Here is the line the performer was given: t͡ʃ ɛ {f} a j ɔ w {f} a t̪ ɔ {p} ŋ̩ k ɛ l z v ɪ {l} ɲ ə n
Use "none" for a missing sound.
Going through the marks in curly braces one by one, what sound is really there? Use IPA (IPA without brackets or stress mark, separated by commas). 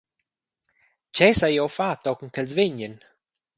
s, f, k, none